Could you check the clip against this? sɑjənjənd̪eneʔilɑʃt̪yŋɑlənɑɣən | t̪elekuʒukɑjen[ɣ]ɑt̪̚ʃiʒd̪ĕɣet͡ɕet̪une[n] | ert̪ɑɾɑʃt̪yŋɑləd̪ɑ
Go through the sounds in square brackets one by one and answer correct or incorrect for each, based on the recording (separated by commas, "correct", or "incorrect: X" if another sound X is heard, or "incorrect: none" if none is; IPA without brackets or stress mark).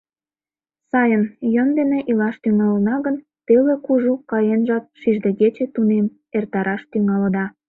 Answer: incorrect: ʒ, incorrect: m